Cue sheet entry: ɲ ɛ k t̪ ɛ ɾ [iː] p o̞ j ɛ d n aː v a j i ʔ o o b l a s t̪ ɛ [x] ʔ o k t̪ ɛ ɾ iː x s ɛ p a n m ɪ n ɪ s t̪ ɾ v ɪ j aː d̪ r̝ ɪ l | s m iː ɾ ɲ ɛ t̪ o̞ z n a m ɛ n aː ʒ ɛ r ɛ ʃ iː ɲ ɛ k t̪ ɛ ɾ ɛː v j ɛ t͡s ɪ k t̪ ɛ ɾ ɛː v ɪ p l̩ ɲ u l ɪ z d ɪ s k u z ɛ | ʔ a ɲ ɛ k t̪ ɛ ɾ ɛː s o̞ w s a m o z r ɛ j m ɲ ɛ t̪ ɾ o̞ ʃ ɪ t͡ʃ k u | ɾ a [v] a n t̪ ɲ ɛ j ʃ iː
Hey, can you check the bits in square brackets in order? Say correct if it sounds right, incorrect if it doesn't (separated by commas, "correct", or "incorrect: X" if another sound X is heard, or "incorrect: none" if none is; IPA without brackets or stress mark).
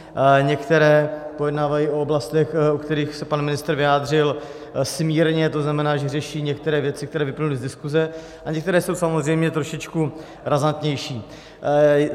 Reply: incorrect: ɛː, correct, incorrect: z